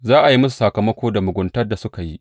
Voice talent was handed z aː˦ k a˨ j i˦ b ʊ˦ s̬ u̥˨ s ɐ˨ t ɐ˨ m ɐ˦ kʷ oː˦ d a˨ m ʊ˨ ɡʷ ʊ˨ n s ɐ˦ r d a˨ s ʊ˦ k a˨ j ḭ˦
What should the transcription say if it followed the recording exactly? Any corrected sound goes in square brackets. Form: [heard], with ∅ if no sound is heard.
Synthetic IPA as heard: z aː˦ [ʔ] a˨ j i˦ [m] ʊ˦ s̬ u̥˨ s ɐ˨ [k] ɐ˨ m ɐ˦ kʷ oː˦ d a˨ m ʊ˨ ɡʷ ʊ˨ n [t] ɐ˦ r d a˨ s ʊ˦ k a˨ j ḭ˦